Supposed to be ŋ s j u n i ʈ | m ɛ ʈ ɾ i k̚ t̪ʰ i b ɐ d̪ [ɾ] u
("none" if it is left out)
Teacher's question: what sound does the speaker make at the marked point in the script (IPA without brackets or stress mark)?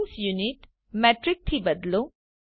l